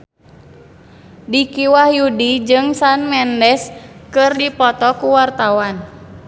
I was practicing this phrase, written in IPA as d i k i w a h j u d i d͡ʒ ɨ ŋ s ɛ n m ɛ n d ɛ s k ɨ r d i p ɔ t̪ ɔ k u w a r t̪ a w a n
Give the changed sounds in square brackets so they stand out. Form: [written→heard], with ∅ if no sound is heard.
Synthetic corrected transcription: d i k i w a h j u d i d͡ʒ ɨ ŋ s [ɛ→a] n m ɛ n d ɛ s k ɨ r d i p ɔ t̪ ɔ k u w a r t̪ a w a n